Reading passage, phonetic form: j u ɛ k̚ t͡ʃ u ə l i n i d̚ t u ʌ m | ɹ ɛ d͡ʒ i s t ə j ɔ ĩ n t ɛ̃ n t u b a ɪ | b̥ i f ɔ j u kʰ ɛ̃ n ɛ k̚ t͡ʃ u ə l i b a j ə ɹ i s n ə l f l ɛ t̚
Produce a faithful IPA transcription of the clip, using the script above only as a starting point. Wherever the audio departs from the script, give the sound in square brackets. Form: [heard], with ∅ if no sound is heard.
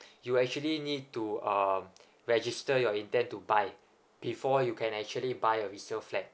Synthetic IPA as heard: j u ɛ k̚ t͡ʃ u ə l i n i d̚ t u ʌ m | ɹ ɛ d͡ʒ i s t ə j ɔ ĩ n t ɛ̃ n t u b a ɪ | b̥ i f ɔ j u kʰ ɛ̃ n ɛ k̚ t͡ʃ u ə l i b a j ə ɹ i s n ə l f l ɛ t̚